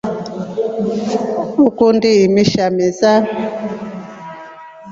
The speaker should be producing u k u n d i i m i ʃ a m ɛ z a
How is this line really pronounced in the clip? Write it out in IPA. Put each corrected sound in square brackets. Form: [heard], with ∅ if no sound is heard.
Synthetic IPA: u k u n d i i m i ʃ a m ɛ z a

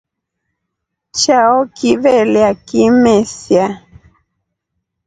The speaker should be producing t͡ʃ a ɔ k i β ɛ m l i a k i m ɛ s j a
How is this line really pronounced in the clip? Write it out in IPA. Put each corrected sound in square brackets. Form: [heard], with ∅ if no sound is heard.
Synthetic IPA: t͡ʃ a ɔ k i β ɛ [∅] l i a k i m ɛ s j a

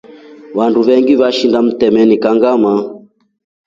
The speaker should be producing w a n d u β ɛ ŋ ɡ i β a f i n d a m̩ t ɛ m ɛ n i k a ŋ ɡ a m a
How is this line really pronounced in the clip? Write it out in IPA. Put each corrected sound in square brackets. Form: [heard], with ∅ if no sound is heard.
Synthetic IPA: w a n d u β ɛ ŋ ɡ i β a [ʃ] i n d a m̩ t ɛ m ɛ n i k a ŋ ɡ a m a

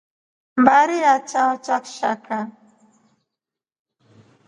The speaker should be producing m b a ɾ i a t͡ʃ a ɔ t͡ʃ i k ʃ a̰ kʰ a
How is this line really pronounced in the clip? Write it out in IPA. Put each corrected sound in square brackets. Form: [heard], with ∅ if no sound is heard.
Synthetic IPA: m b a ɾ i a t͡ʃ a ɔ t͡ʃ [a] k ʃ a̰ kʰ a

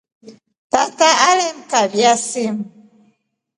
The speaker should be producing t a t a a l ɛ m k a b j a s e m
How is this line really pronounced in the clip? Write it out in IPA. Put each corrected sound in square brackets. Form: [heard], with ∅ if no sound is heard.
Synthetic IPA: t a t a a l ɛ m k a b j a s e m

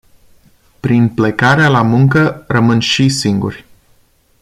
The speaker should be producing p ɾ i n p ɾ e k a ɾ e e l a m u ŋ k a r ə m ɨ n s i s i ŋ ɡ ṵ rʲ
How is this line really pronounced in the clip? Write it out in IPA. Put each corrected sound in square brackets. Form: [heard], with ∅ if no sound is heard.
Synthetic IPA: p ɾ i n p [l] e k a ɾ e [a] l a m u ŋ k [ə] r ə m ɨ n [ʃ] i s i ŋ ɡ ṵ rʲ

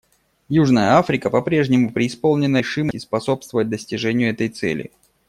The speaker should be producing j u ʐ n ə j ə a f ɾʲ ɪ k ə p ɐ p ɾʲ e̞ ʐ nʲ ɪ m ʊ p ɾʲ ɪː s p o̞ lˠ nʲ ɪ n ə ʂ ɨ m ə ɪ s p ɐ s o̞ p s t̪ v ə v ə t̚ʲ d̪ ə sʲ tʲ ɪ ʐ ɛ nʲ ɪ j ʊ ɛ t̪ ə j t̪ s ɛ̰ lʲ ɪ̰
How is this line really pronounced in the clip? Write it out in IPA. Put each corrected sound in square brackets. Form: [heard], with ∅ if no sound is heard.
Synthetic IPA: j u ʐ n ə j ə a f ɾʲ ɪ k ə p ɐ p ɾʲ e̞ ʐ nʲ ɪ m ʊ p ɾʲ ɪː s p o̞ lˠ nʲ ɪ n ə ʂ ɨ m ə ɪ s p ɐ s o̞ p s t̪ v ə v ə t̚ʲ d̪ ə sʲ tʲ ɪ ʐ ɛ nʲ ɪ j ʊ ɛ t̪ ə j t̪ s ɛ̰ lʲ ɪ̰

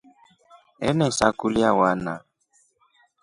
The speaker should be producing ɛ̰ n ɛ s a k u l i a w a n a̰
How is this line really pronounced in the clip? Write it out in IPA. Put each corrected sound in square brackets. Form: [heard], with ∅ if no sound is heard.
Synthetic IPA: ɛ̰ n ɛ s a k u l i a w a n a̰

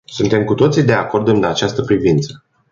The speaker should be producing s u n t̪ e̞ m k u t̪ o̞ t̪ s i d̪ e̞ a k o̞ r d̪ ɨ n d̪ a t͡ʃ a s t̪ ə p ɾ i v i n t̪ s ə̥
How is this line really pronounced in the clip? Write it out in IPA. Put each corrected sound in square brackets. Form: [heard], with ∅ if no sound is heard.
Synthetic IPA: s u n t̪ e̞ m k u t̪ o̞ t̪ s i d̪ e̞ a k o̞ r d̪ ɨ n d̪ a t͡ʃ a s t̪ ə p ɾ i v i n t̪ s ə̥

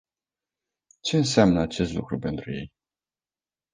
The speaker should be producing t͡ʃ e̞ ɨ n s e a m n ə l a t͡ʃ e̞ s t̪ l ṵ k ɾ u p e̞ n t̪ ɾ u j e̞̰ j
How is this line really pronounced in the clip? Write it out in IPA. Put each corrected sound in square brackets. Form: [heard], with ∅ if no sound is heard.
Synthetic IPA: t͡ʃ e̞ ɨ n s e a m n ə [∅] a t͡ʃ e̞ s t̪ l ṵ k ɾ u p e̞ n t̪ ɾ u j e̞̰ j

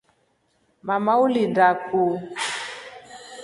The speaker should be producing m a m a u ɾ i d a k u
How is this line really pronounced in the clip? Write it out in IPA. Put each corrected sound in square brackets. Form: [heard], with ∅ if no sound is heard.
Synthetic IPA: m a m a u [l] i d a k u

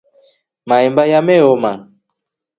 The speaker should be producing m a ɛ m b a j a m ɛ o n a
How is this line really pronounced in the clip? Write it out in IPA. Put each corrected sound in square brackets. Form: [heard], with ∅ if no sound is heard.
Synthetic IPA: m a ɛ m b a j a m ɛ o [m] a

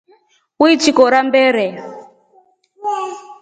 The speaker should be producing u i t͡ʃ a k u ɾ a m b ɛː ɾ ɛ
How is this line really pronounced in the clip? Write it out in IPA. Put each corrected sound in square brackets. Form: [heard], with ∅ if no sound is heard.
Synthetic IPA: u i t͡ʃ [i] k [ɔ] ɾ a m b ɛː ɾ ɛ

